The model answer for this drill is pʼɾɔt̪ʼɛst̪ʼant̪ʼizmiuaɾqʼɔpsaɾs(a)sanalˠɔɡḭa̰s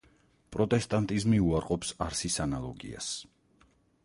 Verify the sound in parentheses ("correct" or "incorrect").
incorrect